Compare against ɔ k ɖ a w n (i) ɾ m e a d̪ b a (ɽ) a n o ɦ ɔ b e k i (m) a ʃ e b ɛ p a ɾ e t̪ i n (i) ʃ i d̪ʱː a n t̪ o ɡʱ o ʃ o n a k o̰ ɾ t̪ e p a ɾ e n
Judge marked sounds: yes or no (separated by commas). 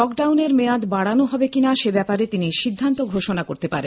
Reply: no, yes, no, yes